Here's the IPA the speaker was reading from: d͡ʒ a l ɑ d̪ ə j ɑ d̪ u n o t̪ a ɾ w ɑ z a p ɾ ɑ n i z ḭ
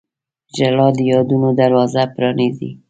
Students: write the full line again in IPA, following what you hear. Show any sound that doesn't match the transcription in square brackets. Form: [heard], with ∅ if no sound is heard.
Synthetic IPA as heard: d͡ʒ a l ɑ d̪ ə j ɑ d̪ u n o [d̪] a ɾ w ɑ z a p ɾ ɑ n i z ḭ